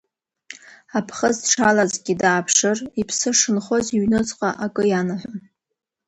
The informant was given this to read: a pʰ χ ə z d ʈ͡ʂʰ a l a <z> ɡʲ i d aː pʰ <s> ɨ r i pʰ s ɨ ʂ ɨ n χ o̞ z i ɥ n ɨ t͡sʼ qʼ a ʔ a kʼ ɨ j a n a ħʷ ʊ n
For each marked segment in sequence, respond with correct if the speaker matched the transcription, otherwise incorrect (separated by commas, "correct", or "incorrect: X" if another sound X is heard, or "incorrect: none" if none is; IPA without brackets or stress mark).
correct, incorrect: ʂ